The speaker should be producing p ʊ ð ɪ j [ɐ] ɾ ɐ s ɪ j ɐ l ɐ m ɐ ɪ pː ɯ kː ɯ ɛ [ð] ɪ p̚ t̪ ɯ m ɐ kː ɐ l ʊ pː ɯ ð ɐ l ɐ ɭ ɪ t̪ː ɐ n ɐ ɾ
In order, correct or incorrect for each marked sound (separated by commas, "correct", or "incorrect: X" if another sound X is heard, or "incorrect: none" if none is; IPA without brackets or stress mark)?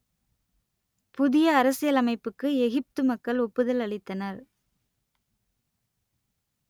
incorrect: ɐː, incorrect: ɣ